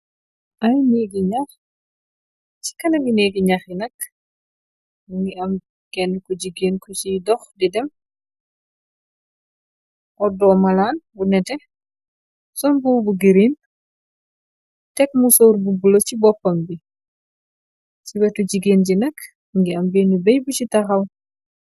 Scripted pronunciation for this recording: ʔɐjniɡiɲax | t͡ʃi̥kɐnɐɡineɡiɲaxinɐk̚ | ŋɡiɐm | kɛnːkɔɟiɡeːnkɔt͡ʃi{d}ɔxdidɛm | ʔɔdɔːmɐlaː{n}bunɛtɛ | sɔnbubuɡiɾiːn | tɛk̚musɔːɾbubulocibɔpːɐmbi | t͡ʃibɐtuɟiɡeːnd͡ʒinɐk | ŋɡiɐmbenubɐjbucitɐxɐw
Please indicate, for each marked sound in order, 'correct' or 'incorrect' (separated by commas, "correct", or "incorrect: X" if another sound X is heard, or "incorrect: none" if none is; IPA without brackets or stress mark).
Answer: correct, correct